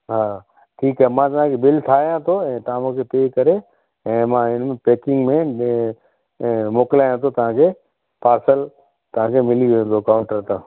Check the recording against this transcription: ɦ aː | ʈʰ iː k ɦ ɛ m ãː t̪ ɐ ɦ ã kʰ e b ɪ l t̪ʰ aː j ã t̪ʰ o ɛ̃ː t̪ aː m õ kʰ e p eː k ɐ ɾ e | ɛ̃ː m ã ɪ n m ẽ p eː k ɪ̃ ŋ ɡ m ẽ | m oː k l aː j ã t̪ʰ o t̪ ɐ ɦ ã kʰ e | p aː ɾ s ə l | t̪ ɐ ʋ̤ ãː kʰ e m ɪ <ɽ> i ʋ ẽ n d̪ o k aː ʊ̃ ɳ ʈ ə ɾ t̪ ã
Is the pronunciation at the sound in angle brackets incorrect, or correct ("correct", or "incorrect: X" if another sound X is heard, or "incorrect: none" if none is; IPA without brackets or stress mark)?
incorrect: l